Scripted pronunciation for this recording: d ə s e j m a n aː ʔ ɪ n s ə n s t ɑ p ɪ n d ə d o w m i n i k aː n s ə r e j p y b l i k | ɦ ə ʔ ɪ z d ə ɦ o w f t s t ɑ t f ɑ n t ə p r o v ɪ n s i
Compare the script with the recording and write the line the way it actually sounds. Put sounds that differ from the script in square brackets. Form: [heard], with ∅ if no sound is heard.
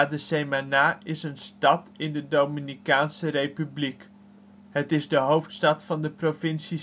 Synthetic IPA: d ə s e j m a n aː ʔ ɪ [∅] s ə n s t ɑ [t] ɪ n d ə d o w m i n i k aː n s ə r e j p y b l i k | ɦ ə [t] ɪ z d ə ɦ o w f t s t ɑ t f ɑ n [d] ə p r o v ɪ n s i